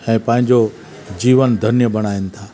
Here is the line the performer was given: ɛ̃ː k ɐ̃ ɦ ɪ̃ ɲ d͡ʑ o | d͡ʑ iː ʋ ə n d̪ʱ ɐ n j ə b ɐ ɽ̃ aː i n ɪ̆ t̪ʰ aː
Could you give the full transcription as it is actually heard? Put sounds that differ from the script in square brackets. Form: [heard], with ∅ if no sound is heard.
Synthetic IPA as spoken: ɛ̃ː [p] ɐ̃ ɦ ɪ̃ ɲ d͡ʑ o | d͡ʑ iː ʋ ə n d̪ʱ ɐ n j ə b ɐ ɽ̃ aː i n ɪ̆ t̪ʰ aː